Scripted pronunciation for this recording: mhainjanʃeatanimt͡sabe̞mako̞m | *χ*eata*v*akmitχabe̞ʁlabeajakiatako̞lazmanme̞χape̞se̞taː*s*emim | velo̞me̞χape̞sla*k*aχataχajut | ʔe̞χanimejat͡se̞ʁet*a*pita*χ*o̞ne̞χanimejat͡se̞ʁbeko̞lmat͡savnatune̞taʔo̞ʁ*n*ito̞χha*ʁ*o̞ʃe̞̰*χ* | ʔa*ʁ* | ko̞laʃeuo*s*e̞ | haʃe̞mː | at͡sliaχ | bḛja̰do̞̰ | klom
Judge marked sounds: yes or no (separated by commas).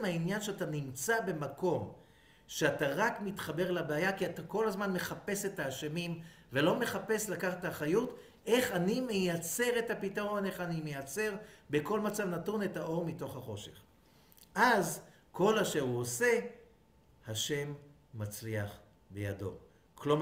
no, no, no, yes, yes, no, no, no, yes, no, yes